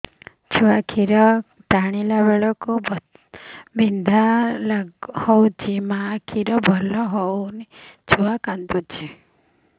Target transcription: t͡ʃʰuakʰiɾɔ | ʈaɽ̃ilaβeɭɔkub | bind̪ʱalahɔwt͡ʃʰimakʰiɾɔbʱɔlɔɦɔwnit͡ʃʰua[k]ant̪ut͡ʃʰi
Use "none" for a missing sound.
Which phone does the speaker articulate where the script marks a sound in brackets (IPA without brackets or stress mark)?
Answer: k